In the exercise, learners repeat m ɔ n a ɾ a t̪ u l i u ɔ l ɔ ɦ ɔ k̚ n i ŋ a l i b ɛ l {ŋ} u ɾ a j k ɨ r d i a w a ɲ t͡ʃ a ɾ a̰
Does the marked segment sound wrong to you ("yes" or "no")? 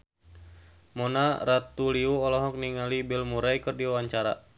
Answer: yes